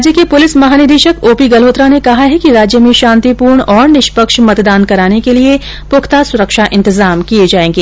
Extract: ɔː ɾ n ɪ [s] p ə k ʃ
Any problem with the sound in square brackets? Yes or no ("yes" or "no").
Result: yes